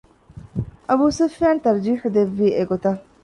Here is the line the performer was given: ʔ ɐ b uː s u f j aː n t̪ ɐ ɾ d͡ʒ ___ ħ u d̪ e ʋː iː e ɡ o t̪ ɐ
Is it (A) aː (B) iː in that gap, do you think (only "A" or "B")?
B